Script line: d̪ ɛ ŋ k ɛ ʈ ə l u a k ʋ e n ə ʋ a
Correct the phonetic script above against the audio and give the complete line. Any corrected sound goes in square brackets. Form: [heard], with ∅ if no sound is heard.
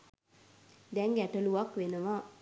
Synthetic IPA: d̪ ɛ ŋ [ɡ] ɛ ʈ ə l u a k ʋ e n ə ʋ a